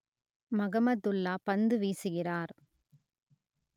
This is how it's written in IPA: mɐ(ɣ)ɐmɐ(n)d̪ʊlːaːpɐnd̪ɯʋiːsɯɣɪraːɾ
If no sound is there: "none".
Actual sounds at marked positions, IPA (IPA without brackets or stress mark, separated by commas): ɣ, none